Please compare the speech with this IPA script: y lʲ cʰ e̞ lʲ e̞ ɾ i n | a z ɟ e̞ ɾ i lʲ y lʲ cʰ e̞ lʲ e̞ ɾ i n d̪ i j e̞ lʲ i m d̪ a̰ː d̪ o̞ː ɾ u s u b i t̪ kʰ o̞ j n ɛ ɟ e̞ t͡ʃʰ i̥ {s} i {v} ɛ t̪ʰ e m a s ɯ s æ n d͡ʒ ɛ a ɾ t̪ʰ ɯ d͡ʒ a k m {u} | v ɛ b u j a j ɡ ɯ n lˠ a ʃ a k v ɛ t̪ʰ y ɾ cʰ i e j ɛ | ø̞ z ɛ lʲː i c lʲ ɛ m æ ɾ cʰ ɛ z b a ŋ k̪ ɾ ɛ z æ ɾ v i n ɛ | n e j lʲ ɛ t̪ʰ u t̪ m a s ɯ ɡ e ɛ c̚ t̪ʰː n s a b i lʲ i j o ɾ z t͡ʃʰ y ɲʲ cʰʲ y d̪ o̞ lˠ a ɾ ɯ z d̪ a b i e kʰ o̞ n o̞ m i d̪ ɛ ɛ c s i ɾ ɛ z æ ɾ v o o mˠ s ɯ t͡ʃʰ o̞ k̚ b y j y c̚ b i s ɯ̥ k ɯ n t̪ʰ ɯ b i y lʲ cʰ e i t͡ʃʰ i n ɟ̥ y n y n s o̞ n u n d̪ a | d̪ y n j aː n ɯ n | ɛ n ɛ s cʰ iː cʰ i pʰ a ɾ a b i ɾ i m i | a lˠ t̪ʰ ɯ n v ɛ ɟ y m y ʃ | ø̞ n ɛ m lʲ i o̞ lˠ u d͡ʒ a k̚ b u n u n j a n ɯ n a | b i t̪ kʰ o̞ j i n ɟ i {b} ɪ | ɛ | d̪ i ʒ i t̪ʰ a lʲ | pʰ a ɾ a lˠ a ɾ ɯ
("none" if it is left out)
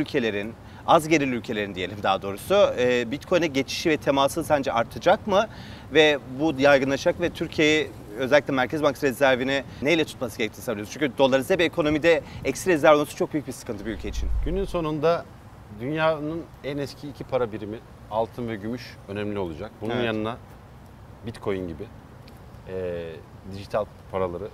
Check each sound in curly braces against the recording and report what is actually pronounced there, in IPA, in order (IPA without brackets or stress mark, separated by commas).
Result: ʃ, v, ɯ, b